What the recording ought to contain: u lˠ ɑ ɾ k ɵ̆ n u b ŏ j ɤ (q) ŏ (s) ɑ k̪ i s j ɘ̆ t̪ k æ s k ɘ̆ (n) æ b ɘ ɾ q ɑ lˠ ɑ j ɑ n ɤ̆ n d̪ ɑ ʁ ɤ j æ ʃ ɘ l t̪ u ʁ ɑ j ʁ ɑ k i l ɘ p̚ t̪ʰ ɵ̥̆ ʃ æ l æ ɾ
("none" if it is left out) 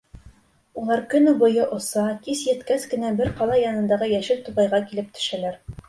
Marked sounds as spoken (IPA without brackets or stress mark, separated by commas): ʔ, s, n